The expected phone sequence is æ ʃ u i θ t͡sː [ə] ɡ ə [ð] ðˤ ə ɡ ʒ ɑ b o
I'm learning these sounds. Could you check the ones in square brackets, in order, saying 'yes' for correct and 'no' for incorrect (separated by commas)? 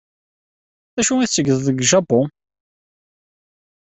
yes, yes